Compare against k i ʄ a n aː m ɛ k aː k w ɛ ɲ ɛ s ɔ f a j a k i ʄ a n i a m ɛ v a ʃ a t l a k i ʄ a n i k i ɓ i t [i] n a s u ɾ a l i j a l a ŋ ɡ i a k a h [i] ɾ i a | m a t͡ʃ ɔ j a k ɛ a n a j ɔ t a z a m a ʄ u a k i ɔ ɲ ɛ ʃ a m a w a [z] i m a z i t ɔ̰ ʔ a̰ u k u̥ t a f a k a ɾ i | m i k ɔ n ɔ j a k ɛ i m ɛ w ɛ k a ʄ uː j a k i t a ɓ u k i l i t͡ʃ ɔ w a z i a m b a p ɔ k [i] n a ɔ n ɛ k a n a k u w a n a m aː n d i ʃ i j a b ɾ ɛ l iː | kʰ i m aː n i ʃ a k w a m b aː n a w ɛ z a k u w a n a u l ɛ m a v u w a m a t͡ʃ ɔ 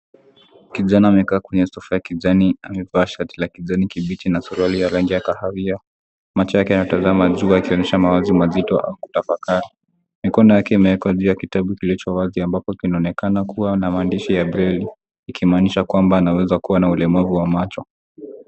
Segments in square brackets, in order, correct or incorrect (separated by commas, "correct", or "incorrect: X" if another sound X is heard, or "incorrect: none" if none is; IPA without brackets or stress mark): correct, incorrect: a, correct, correct